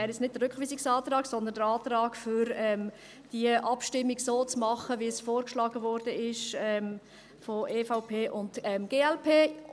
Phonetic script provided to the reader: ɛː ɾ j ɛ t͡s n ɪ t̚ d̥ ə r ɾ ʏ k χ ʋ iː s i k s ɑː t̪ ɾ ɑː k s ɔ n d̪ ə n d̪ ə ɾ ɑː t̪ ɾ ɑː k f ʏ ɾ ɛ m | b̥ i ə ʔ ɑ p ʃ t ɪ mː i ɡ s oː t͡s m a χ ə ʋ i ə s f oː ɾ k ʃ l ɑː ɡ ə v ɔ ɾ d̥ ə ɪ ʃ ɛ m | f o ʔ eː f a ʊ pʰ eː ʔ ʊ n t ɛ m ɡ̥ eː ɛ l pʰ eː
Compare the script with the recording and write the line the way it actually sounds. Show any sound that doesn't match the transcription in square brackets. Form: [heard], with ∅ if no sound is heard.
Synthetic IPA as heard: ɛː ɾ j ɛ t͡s n ɪ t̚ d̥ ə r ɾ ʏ k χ ʋ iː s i k s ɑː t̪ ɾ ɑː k s ɔ n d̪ ə n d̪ ə ɾ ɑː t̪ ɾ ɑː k f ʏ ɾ ɛ m | [d̥] i ə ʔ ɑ p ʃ t ɪ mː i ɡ s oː t͡s m [ɑ] χ ə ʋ i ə s f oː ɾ k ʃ l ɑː ɡ ə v ɔ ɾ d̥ ə ɪ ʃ ɛ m | f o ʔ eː f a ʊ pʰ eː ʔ ʊ n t ɛ m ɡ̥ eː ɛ l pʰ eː

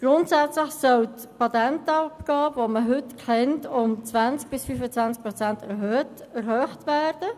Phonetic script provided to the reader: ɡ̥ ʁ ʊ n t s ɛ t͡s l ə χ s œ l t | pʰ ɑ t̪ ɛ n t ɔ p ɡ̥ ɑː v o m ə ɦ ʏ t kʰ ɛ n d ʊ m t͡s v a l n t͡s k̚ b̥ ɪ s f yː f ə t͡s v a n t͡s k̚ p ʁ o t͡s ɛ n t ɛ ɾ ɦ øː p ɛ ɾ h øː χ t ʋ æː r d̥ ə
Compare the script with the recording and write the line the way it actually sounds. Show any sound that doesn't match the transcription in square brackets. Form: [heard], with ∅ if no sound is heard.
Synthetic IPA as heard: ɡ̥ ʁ ʊ n t s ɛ t͡s l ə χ s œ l t | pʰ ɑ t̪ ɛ n t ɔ p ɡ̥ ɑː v o m ə ɦ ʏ t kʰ ɛ n [t] ʊ m t͡s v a [∅] n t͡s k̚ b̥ ɪ s f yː f ə t͡s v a n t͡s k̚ p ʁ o t͡s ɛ n t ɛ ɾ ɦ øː [t] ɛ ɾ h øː χ t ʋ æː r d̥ ə

